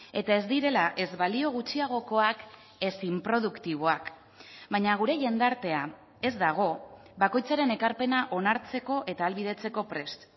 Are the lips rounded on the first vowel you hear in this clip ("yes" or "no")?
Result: no